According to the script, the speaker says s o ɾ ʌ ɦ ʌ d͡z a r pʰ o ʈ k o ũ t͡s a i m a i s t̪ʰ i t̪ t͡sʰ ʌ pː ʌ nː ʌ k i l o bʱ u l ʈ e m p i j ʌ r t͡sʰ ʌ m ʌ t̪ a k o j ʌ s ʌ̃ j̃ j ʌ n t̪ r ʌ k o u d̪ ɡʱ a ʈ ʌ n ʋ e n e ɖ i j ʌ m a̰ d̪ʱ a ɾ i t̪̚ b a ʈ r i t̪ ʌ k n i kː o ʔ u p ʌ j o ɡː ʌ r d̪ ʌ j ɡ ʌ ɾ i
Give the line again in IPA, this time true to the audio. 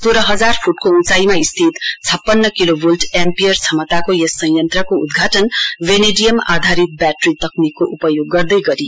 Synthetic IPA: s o ɾ ʌ ɦ ʌ d͡z a r pʰ u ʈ k o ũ t͡s a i m a i s t̪ʰ i t̪ t͡sʰ ʌ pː ʌ nː ʌ k i l o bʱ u l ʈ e m p i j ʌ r t͡sʰ ʌ m ʌ t̪ a k o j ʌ s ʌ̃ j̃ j ʌ n t̪ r ʌ k o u d̪ ɡʱ a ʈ ʌ n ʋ e n e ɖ i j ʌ m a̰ d̪ʱ a ɾ i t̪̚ b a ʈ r i t̪ ʌ k n i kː o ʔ u p ʌ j o ɡː ʌ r d̪ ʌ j ɡ ʌ ɾ i